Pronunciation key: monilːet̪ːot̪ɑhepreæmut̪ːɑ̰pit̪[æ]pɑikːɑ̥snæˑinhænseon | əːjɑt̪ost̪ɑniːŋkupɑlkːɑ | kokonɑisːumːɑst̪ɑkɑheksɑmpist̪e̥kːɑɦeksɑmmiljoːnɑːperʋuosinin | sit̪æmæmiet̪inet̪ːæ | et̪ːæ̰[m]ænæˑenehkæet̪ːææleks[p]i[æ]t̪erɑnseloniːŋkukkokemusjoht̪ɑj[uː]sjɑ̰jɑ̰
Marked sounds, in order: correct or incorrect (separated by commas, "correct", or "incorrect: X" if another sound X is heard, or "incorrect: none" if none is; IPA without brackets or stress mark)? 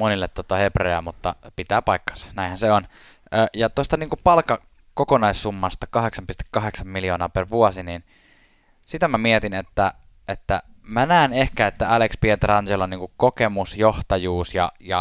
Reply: incorrect: æː, correct, correct, incorrect: e, correct